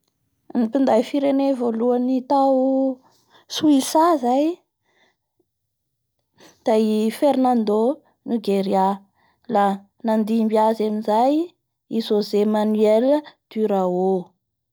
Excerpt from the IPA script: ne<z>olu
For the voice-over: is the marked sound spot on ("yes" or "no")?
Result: no